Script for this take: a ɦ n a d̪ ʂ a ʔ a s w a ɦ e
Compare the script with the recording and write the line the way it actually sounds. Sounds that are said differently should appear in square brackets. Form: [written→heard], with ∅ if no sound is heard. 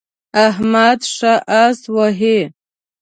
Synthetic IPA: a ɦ [n→m] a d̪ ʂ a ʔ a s w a ɦ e